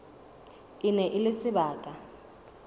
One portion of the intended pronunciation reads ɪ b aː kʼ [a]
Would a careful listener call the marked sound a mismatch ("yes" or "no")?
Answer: no